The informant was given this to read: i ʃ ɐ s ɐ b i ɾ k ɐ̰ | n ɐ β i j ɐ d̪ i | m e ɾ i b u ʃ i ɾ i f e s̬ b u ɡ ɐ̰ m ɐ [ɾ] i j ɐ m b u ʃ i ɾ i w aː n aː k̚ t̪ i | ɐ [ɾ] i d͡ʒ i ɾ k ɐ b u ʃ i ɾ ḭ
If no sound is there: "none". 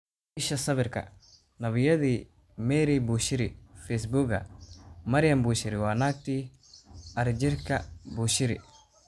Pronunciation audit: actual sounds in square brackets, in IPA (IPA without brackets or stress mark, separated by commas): ɾ, ɾ